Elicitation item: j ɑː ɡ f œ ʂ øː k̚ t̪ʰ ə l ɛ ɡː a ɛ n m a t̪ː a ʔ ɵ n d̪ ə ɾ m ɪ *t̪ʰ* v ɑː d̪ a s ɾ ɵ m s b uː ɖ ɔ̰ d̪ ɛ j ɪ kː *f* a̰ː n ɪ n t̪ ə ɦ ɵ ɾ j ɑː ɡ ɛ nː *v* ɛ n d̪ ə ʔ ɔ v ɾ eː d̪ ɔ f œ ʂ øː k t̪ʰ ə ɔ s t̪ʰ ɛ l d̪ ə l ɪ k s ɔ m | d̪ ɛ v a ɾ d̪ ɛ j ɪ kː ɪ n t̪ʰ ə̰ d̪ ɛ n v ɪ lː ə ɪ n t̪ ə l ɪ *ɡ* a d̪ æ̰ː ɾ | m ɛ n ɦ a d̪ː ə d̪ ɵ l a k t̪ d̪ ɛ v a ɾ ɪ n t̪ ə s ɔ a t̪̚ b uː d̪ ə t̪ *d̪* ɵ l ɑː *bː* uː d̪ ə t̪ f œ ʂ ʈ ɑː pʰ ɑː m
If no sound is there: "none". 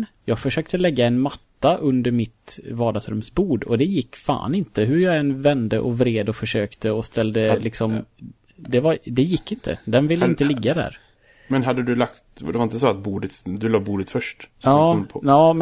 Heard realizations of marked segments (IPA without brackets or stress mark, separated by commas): t̪, f, v, ɡː, d̪, b